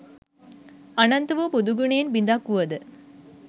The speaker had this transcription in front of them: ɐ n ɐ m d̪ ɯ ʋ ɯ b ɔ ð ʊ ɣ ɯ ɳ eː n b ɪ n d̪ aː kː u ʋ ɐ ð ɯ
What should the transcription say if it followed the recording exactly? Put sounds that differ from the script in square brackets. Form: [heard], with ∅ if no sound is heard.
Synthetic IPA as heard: ɐ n ɐ [n] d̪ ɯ ʋ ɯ [p] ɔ ð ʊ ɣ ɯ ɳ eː n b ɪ n d̪ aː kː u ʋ ɐ ð ɯ